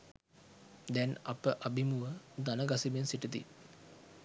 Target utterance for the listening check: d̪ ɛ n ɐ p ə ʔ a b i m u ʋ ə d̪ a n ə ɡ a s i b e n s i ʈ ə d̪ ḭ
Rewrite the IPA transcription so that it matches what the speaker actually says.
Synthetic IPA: d̪ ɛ n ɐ p ə ʔ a b i m u ʋ ə d̪ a n ə ɡ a s i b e n s i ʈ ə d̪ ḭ